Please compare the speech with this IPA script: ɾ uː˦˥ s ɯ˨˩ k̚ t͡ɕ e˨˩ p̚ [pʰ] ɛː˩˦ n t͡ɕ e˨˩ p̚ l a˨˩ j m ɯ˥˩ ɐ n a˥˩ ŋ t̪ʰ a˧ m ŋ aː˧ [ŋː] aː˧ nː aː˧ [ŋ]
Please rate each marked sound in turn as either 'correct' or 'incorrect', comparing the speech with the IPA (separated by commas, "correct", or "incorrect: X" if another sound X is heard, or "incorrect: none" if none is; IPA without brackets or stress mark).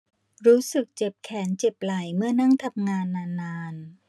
incorrect: kʰ, incorrect: nː, incorrect: n